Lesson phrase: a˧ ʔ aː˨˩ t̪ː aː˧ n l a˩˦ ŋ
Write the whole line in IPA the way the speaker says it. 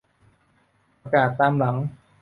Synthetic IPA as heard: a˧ k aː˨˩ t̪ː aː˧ m l a˩˦ ŋ